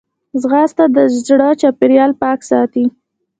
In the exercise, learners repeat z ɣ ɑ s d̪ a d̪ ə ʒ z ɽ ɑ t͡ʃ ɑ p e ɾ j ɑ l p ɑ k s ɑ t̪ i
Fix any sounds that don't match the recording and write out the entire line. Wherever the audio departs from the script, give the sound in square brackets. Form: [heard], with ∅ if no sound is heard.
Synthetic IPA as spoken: z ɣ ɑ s [t̪] a d̪ ə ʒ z ɽ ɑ t͡ʃ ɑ p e ɾ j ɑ l p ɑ k s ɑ t̪ i